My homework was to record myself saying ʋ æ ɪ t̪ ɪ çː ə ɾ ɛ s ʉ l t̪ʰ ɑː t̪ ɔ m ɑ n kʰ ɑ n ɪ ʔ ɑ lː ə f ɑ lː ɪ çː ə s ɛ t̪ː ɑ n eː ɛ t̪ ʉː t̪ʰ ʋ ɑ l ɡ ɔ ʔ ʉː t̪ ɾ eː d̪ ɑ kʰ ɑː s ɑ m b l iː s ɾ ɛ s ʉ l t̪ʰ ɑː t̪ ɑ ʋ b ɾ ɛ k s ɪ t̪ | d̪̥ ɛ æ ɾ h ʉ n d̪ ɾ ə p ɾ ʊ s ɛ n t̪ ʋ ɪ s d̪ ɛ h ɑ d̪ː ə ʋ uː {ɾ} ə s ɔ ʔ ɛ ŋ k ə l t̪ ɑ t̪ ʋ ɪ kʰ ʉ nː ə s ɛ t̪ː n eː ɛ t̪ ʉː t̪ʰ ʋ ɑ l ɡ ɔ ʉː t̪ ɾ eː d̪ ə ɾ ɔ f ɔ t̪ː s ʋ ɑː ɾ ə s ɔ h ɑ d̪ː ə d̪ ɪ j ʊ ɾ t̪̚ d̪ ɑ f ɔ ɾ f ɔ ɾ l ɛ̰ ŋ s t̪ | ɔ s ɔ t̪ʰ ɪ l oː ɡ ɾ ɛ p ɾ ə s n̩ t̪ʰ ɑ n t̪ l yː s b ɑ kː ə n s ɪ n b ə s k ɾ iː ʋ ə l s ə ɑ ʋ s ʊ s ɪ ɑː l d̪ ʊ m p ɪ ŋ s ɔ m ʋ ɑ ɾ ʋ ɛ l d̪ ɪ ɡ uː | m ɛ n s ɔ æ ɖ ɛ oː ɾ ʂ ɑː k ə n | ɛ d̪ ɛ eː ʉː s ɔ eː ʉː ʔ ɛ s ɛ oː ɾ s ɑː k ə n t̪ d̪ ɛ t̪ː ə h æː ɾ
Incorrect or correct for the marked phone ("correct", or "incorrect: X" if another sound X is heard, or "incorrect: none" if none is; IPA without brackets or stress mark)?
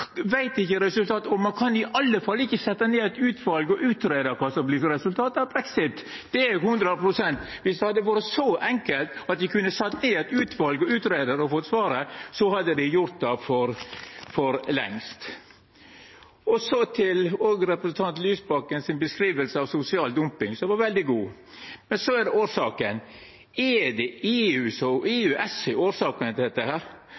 correct